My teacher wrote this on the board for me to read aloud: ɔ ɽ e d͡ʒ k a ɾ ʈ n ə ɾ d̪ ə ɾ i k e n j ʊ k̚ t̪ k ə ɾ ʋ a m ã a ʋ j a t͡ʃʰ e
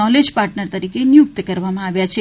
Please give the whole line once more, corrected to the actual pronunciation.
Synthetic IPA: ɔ l e d͡ʒ p a ɾ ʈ n ə ɾ t̪ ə ɾ i k e n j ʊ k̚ t̪ k ə ɾ ʋ a m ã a ʋ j a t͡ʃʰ e